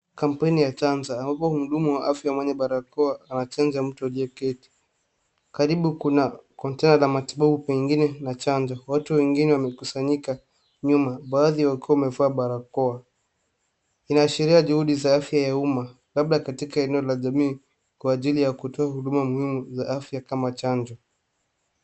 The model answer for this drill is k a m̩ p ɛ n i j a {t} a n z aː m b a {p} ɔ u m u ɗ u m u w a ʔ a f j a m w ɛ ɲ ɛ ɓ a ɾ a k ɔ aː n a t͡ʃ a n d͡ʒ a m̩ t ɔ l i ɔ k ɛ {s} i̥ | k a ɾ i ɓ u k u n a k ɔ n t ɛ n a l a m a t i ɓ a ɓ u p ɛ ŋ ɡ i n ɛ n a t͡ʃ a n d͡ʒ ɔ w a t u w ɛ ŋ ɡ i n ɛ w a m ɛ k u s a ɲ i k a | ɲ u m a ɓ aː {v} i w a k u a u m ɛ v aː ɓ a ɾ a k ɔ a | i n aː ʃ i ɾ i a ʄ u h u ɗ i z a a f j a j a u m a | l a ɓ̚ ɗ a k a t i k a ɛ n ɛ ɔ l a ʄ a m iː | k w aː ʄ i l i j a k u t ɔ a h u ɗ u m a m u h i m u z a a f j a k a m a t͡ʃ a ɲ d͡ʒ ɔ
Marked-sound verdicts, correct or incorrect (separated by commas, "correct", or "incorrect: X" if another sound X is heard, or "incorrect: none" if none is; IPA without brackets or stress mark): incorrect: t͡ʃ, correct, incorrect: t, incorrect: ð